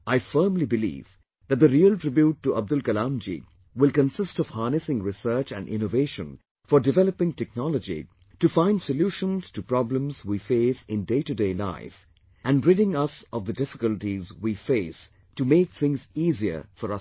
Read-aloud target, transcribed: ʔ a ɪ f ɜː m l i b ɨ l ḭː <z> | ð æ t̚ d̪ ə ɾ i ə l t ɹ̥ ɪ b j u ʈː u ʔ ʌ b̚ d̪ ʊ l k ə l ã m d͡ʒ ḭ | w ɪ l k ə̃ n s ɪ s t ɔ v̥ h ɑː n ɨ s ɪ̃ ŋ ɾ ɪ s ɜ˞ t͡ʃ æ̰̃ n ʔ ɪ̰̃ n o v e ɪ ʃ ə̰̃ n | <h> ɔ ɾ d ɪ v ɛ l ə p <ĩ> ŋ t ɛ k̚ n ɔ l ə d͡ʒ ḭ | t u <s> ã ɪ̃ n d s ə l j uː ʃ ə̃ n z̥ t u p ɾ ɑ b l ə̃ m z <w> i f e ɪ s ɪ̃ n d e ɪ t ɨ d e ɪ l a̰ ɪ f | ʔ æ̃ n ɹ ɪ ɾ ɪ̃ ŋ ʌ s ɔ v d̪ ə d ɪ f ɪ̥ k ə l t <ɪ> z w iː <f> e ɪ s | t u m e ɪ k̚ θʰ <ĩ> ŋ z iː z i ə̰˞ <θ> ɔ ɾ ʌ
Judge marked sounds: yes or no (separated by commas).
no, no, no, no, yes, no, yes, no, no